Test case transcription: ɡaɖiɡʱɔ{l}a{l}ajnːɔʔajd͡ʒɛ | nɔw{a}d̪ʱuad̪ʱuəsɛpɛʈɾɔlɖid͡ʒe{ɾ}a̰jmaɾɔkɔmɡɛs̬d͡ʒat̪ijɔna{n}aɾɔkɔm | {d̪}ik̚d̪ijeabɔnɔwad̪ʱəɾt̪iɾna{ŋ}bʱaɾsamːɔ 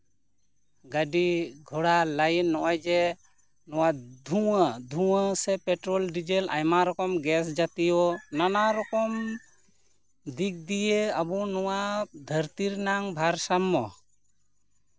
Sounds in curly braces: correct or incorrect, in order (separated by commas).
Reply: incorrect, correct, correct, incorrect, correct, correct, correct